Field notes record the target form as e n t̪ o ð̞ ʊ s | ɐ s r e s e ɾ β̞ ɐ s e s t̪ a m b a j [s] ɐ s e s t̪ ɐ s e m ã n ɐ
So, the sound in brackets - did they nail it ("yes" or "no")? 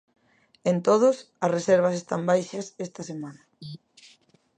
no